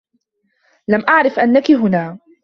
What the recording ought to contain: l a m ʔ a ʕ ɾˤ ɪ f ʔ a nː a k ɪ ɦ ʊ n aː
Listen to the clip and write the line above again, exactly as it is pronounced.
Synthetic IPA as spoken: l a m ʔ a ʕ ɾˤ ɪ f ʔ a nː a k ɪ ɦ ʊ n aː